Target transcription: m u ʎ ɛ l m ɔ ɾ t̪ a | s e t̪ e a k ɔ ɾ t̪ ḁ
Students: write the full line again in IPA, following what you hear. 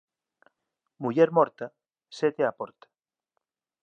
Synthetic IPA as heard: m u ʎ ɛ ɾ m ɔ ɾ t̪ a | s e t̪ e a p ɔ ɾ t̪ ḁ

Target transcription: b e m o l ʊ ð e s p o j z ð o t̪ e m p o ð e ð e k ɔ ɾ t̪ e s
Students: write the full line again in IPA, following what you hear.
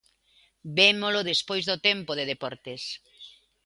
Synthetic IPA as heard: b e m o l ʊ ð e s p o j z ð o t̪ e m p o ð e ð e p ɔ ɾ t̪ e s

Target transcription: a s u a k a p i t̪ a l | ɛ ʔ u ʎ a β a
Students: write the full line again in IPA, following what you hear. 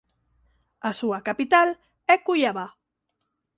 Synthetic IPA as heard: a s u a k a p i t̪ a l | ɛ k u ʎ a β a

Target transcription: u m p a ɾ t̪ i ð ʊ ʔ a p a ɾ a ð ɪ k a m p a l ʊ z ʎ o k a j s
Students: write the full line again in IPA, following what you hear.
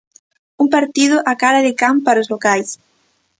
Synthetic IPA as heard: u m p a ɾ t̪ i ð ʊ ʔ a k a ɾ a ð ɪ k a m p a ɾ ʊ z l o k a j s

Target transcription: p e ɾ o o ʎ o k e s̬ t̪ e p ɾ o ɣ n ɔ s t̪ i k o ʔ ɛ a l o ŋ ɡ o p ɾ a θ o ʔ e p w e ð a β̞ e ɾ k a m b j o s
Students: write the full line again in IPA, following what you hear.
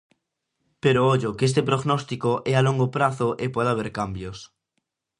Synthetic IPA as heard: p e ɾ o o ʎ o k e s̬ t̪ e p ɾ o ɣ n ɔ s t̪ i k o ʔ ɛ a l o ŋ ɡ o p ɾ a θ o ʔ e p w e ð a β̞ e ɾ k a m b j o s

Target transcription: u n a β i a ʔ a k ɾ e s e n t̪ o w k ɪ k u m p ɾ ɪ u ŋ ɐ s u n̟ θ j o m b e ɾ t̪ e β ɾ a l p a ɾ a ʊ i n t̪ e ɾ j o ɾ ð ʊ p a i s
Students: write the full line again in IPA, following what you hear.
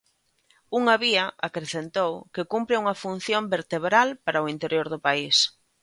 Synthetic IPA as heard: u ŋ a β i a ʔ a k ɾ e θ e n t̪ o w k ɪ k u m p ɾ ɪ u ŋ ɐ f u n̟ θ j o m b e ɾ t̪ e β ɾ a l p a ɾ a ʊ i n t̪ e ɾ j o ɾ ð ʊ p a i s

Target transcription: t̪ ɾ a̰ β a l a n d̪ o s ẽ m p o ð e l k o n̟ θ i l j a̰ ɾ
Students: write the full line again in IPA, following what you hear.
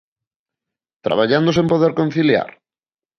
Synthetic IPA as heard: t̪ ɾ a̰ β a ʎ a n d̪ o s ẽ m p o ð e ɾ k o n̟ θ i l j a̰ ɾ

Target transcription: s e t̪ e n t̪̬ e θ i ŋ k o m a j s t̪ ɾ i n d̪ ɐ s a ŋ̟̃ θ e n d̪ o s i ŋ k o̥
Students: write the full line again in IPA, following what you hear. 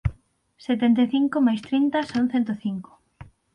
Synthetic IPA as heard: s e t̪ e n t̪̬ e θ i ŋ k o m a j s t̪ ɾ i n t̪ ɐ s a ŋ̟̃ θ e n t̪ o θ i ŋ k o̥

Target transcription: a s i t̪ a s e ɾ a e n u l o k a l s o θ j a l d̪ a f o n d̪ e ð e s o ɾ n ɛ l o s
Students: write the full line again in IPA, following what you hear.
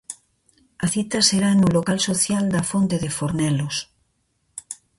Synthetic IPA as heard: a θ i t̪ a s e ɾ a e n u l o k a l s o θ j a l d̪ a f o n t̪ e ð e f o ɾ n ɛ l o s

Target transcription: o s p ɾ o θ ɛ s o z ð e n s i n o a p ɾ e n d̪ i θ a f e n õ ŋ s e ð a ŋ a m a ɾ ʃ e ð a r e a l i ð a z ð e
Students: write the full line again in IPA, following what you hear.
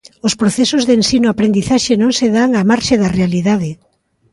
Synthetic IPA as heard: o s p ɾ o θ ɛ s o z ð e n s i n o a p ɾ e n d̪ i θ a ʃ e n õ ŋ s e ð a ŋ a m a ɾ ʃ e ð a r e a l i ð a ð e

